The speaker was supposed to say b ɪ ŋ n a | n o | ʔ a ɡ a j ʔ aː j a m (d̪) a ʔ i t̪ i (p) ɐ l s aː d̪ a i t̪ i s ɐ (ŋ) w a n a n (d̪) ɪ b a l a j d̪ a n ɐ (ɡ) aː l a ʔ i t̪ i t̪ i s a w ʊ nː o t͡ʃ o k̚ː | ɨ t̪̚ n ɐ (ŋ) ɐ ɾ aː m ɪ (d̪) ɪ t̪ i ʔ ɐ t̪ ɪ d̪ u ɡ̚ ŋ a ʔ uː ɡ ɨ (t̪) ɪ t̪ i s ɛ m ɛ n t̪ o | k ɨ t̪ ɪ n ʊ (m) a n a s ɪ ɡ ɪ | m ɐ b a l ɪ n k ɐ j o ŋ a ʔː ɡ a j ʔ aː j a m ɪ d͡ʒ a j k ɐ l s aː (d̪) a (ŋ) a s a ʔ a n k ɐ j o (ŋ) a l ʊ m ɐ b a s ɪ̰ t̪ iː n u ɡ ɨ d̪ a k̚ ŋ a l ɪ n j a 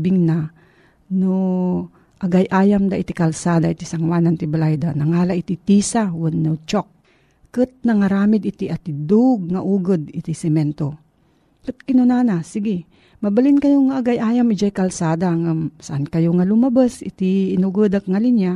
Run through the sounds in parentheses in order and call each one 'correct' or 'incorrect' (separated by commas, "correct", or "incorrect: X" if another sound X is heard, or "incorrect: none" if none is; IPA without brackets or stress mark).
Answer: correct, incorrect: k, correct, incorrect: t̪, incorrect: ŋ, correct, correct, incorrect: d̪, incorrect: n, correct, correct, correct